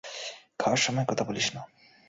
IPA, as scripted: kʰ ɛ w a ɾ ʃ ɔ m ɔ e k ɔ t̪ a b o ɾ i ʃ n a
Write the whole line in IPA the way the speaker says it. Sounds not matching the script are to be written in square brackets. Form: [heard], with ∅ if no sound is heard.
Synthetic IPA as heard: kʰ [a] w a ɾ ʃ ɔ m ɔ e k ɔ [t̪ʰ] a b o [l] i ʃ n a